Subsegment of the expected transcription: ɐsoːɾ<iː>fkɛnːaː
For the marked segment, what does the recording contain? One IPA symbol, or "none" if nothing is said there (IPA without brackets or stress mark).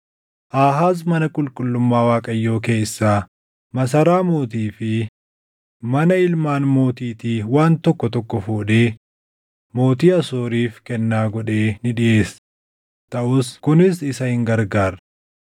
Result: iː